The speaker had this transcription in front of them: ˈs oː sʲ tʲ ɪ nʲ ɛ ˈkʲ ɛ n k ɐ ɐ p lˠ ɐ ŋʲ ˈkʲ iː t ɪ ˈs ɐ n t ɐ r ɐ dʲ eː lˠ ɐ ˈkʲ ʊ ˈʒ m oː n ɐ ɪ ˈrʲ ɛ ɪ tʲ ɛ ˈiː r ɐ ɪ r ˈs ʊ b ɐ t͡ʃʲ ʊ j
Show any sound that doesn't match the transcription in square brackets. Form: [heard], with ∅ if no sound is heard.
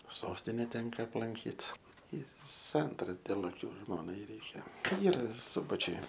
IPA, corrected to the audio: ˈs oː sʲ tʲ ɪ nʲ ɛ [ˈtʲ] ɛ [ŋ] k ɐ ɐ p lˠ ɐ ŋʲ ˈkʲ iː t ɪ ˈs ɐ n t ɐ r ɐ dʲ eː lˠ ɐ ˈkʲ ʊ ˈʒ m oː n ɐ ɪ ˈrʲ ɛ ɪ [kʲ] ɛ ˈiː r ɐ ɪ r ˈs ʊ b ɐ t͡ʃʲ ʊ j